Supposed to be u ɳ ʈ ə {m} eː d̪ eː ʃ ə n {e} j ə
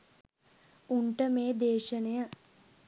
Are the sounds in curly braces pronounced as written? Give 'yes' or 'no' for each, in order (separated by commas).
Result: yes, yes